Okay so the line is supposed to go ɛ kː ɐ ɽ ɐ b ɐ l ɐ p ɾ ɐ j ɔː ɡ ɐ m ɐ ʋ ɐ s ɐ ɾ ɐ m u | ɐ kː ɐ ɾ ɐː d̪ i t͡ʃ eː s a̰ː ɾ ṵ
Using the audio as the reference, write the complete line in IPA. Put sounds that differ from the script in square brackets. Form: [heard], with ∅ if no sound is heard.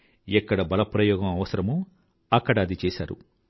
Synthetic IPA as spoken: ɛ kː ɐ ɽ ɐ b ɐ l ɐ p ɾ ɐ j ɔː ɡ ɐ m ɐ ʋ ɐ s ɐ ɾ ɐ m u | ɐ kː ɐ [ɽ] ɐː d̪ i t͡ʃ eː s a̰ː ɾ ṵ